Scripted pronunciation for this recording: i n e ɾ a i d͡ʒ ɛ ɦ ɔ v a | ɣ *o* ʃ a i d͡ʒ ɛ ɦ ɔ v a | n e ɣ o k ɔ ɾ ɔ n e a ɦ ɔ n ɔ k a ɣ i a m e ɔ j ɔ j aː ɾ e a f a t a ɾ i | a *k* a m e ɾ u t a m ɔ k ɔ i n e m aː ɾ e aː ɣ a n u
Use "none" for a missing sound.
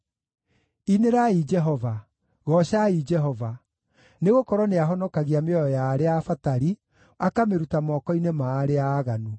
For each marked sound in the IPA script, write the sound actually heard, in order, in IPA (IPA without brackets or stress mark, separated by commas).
ɔ, k